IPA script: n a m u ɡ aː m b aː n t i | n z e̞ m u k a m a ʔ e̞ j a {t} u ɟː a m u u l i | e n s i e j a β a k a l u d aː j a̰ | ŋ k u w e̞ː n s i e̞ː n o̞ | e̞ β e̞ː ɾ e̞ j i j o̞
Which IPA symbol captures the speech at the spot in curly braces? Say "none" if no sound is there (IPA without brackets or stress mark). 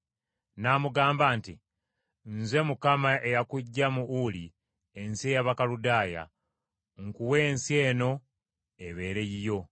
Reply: k